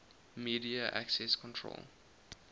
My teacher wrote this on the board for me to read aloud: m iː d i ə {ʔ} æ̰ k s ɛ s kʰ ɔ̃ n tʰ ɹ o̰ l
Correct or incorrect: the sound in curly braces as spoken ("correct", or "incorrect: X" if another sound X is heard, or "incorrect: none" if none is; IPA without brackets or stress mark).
correct